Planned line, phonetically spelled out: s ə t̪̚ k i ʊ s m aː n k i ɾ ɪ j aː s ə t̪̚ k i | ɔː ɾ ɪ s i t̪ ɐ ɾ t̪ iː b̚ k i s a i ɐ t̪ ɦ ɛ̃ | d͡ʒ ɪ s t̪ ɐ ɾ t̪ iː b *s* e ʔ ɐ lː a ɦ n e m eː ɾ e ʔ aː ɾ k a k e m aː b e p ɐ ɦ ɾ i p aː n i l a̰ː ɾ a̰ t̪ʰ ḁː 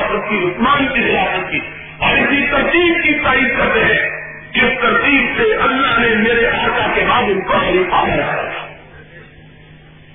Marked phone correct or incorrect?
correct